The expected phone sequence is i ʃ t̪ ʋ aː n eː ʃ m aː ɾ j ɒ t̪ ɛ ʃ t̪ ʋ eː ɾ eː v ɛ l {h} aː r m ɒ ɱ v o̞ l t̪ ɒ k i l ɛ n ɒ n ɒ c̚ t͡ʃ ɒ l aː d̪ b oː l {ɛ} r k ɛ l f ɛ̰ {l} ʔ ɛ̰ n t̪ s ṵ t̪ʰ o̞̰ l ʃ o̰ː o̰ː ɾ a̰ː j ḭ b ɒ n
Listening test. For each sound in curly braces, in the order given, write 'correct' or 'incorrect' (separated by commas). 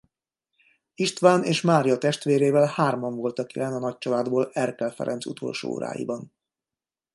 correct, correct, incorrect